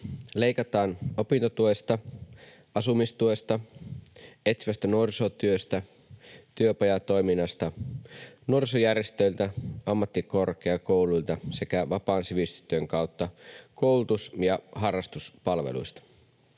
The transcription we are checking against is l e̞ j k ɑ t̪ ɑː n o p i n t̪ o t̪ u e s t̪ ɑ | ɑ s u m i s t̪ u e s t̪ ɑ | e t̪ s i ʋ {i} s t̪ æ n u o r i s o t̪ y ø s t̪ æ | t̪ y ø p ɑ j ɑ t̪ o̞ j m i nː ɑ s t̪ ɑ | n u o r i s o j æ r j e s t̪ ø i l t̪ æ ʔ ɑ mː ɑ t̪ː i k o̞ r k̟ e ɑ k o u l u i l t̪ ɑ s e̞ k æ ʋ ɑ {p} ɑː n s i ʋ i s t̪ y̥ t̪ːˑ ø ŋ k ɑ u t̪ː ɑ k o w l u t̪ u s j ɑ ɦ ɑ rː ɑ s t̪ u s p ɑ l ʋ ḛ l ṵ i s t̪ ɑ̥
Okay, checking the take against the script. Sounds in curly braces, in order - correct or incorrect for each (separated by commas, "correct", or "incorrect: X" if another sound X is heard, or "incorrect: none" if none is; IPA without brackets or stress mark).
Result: incorrect: æ, correct